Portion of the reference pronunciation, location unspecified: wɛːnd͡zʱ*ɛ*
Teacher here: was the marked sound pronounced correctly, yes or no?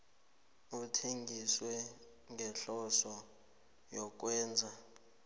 no